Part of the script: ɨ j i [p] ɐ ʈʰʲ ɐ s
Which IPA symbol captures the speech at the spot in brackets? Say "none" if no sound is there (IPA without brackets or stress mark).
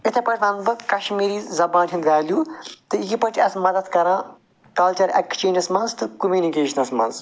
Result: p